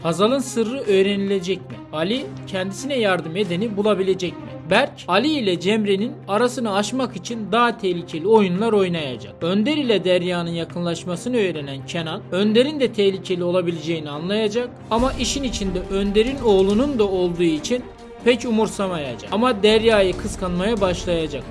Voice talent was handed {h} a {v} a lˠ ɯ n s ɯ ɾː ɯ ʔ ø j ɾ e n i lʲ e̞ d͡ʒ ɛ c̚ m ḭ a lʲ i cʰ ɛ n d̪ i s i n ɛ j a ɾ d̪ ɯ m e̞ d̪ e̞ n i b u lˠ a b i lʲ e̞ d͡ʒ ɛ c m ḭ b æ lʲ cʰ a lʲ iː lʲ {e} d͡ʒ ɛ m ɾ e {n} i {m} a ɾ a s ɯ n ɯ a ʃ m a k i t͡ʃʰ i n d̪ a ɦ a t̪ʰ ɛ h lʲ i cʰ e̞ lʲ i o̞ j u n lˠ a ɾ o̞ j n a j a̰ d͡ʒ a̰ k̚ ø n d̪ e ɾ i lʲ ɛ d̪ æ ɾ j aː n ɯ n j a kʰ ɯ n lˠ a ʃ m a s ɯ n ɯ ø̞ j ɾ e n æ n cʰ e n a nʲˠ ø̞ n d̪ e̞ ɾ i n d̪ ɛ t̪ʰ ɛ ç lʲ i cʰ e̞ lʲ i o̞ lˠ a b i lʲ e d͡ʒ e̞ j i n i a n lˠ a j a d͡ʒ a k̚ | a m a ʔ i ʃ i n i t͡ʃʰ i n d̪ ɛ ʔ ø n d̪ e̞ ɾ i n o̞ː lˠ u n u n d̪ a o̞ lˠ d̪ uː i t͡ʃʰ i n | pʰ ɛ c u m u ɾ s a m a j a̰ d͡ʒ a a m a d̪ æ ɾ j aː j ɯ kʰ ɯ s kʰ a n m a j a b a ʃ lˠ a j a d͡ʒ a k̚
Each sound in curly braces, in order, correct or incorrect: correct, incorrect, incorrect, correct, incorrect

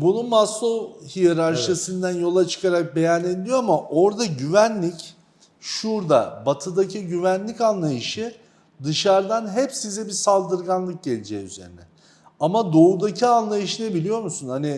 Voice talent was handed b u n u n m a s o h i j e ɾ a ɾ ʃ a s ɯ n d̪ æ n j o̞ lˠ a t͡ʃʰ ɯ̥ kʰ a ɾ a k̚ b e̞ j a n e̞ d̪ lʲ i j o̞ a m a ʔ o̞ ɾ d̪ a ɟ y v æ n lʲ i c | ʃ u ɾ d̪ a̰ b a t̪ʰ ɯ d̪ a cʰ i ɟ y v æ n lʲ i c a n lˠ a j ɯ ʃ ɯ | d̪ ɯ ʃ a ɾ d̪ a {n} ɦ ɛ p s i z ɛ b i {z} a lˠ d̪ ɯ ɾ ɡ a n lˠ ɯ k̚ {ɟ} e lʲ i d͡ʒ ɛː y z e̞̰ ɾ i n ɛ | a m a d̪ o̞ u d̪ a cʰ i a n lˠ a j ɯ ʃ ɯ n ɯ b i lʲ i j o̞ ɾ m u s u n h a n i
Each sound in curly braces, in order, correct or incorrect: correct, incorrect, correct

